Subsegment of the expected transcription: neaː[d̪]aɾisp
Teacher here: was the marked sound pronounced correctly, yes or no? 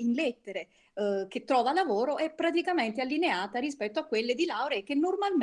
no